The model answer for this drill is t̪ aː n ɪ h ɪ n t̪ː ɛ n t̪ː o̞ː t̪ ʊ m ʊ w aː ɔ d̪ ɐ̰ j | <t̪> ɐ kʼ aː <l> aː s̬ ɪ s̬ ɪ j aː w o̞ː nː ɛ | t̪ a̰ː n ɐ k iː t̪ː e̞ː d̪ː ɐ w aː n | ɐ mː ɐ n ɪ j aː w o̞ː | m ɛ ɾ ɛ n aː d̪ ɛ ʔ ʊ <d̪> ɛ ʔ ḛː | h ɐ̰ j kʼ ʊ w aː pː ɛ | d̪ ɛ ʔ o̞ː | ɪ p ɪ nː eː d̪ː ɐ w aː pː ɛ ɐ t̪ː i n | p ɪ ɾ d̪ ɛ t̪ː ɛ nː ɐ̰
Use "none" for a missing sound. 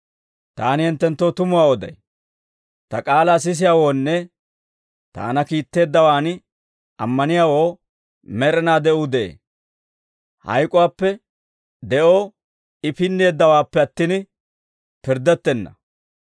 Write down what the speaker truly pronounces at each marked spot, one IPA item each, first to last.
t̪, l, d̪

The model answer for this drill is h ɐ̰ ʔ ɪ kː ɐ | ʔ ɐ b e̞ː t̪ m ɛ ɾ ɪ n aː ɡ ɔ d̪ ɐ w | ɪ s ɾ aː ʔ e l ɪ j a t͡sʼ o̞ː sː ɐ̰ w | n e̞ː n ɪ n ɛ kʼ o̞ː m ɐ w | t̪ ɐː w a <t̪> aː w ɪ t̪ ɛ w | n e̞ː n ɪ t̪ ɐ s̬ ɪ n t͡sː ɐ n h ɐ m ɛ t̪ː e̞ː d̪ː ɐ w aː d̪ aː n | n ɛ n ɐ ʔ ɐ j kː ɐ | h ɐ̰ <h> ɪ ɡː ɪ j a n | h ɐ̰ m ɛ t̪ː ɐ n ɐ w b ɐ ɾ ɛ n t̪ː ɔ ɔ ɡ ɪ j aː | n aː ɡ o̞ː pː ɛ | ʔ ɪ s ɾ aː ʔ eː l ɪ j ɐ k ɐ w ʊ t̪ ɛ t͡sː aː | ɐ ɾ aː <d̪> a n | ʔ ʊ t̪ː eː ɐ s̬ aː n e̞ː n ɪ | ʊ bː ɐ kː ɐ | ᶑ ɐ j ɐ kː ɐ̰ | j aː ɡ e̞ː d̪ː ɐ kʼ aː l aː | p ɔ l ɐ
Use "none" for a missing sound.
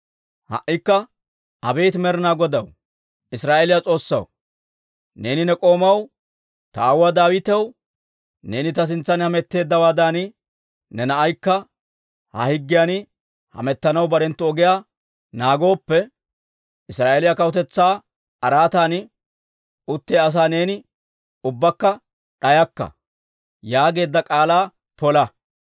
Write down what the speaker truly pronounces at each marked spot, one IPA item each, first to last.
d̪, h, t̪

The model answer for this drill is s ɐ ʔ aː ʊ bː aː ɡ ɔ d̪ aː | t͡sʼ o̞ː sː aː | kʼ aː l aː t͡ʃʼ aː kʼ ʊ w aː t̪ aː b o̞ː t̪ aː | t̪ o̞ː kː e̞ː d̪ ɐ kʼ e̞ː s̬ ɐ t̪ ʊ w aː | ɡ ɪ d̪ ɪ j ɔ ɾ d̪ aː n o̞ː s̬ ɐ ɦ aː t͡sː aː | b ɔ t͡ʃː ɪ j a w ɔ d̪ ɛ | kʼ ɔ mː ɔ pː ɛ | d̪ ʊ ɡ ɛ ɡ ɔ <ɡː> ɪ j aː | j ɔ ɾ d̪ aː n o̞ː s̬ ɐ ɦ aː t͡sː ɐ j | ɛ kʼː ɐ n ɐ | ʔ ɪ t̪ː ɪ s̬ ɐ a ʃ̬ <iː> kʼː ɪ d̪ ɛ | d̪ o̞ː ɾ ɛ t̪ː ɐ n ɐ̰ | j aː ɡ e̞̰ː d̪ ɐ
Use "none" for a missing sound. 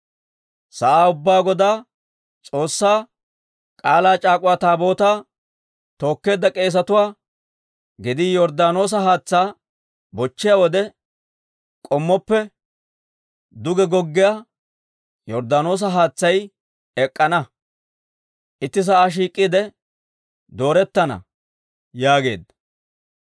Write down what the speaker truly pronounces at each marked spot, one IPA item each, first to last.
ɡː, iː

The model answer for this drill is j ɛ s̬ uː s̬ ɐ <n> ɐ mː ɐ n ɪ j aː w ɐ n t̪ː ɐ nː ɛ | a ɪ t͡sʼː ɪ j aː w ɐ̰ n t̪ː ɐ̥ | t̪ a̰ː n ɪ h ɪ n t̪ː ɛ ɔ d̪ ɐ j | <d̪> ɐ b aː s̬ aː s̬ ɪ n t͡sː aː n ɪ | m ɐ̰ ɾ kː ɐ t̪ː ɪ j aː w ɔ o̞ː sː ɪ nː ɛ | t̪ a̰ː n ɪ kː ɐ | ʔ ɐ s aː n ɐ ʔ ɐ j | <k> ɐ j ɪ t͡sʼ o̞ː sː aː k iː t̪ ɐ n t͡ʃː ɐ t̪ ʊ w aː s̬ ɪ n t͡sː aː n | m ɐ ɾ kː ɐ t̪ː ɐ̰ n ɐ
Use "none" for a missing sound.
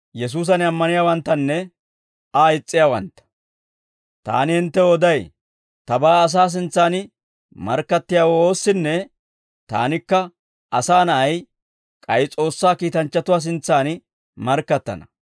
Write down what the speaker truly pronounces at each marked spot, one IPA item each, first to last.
n, t̪, kʼ

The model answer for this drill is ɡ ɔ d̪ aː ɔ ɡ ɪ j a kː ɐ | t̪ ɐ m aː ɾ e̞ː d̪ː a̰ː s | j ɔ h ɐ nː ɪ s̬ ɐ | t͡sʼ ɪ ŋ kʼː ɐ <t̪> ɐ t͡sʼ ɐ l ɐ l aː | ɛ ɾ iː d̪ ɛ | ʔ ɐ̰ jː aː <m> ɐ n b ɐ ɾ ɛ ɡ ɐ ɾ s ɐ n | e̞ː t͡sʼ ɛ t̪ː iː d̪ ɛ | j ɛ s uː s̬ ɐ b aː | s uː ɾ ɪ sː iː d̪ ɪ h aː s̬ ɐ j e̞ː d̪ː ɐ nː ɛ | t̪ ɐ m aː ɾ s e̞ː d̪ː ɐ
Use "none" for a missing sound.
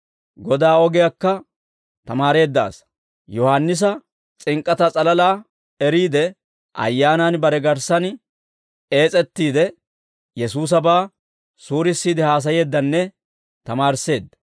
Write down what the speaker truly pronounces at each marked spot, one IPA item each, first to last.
t̪, n

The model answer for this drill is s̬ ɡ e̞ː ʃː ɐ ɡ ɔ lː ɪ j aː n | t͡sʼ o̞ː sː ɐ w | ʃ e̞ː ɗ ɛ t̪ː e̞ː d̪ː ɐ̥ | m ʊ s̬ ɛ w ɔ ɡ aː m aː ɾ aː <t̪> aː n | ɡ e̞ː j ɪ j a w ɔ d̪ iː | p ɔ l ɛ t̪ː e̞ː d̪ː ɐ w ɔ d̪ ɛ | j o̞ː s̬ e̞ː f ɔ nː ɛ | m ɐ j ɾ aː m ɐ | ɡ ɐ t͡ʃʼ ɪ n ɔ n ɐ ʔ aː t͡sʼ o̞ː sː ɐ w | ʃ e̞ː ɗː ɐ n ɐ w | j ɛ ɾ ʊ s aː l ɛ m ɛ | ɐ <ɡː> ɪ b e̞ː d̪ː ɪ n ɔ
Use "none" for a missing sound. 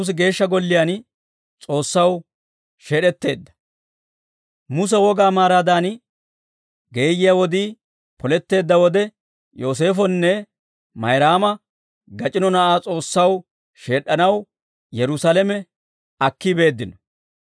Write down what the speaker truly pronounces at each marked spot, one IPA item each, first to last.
d̪, kː

